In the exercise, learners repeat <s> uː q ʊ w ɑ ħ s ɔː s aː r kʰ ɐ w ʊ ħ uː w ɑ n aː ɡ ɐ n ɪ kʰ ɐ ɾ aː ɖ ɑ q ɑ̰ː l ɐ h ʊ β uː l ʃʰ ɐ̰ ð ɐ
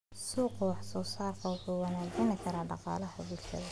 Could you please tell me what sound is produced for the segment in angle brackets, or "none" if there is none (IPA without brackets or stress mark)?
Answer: s